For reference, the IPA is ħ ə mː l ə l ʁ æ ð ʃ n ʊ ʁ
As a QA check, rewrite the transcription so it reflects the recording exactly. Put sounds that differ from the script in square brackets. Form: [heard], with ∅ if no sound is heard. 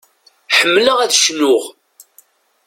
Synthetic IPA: ħ ə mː l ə [∅] ʁ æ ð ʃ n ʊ ʁ

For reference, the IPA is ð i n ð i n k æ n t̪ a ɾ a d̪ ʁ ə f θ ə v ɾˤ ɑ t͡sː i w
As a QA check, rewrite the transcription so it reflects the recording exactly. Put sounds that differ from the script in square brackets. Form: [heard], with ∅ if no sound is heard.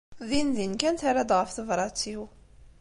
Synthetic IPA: ð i n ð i n k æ n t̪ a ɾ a d̪ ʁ ə f θ ə v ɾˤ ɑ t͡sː i w

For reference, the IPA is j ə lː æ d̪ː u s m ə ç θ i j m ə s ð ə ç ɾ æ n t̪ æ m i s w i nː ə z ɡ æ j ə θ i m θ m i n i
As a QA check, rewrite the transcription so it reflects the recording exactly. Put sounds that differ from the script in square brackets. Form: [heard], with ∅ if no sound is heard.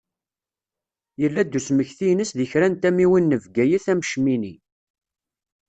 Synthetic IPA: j ə lː æ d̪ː u s m ə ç θ i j [n] ə s ð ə ç ɾ æ n t̪ æ m i [∅] w i nː ə [v] ɡ æ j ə θ [æ] m [ʃ] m i n i

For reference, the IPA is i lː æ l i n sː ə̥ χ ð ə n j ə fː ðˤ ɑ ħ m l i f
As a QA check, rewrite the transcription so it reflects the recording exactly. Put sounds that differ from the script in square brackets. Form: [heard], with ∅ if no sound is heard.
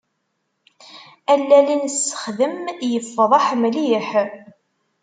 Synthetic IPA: [æ] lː æ l i n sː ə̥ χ ð ə [m] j ə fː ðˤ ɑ ħ m l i [ħ]

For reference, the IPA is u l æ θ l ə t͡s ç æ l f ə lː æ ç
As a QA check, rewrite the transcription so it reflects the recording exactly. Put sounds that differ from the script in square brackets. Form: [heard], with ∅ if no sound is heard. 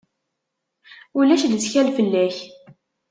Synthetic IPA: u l æ [ʃ] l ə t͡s ç æ l f ə lː æ ç

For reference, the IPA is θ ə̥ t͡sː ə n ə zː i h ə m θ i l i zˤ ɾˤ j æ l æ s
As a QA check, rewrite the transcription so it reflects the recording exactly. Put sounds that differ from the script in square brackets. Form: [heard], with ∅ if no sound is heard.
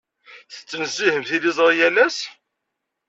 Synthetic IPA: θ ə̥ t͡sː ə n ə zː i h ə m θ i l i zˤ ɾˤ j æ l æ s

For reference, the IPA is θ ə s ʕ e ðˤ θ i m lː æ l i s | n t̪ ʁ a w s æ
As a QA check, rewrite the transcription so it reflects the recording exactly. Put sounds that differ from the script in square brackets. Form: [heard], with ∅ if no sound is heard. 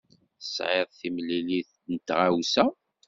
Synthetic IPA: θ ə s ʕ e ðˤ θ i m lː [i] l i [θ] | n t̪ ʁ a w s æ

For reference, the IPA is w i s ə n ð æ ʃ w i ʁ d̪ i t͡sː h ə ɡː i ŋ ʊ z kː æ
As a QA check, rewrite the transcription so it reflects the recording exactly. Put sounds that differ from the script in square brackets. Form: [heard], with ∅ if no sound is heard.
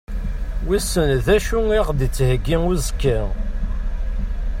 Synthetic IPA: w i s ə n ð æ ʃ [u] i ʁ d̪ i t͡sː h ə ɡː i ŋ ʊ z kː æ

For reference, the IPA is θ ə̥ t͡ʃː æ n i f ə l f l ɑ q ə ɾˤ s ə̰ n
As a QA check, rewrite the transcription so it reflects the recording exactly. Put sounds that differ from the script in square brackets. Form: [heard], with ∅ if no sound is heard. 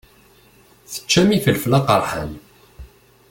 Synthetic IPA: θ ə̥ t͡ʃː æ [m] i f ə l f l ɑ q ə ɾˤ [ħ] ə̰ n

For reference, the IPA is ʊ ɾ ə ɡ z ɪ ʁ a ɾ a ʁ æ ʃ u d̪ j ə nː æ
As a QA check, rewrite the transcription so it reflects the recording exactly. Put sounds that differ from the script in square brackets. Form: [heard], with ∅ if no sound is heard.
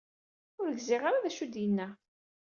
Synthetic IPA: ʊ ɾ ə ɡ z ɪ ʁ a ɾ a [ð] æ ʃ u d̪ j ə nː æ

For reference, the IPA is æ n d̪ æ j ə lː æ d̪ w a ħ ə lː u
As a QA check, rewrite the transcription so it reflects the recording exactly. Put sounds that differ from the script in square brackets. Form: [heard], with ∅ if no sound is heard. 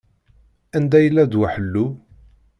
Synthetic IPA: æ n d̪ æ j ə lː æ d̪ w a ħ ə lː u

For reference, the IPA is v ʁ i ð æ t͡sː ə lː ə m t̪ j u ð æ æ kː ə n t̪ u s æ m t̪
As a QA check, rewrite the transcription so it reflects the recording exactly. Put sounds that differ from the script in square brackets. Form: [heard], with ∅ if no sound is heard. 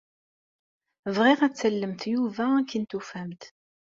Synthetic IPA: v ʁ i [ʁ] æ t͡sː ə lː ə m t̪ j u [v] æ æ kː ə n t̪ u [f] æ m t̪

